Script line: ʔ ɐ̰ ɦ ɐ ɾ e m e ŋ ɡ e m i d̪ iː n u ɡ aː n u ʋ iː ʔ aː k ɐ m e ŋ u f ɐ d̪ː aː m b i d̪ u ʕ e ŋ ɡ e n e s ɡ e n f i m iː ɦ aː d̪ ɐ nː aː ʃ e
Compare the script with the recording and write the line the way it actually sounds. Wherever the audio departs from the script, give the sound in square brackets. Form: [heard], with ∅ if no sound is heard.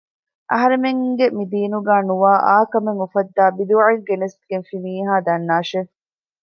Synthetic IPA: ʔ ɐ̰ ɦ ɐ ɾ e m e ŋ ɡ e m i d̪ iː n u ɡ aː n u ʋ [aː] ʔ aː k ɐ m e ŋ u f ɐ d̪ː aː [∅] b i d̪ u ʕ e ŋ ɡ e n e s ɡ e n f i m iː ɦ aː d̪ ɐ nː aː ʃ e